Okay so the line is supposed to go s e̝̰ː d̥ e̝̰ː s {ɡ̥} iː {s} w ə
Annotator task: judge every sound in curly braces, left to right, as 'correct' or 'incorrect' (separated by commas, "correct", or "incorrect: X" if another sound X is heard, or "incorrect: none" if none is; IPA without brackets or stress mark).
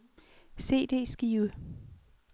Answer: correct, incorrect: none